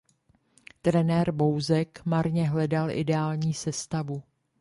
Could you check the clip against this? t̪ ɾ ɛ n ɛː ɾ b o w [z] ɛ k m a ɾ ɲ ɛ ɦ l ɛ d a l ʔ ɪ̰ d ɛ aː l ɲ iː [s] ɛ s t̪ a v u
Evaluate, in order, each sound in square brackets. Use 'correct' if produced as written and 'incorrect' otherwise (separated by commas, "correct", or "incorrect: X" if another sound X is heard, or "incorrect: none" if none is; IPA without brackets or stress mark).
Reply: correct, correct